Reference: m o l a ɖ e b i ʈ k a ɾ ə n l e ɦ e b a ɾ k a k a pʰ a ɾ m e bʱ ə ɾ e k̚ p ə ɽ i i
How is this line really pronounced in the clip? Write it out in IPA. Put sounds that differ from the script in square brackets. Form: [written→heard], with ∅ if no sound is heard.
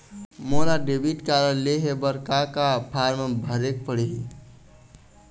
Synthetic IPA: m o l a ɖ e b i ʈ k a ɾ ə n l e ɦ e b [a→ə] ɾ k a k a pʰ a ɾ m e bʱ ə ɾ e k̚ p ə ɽ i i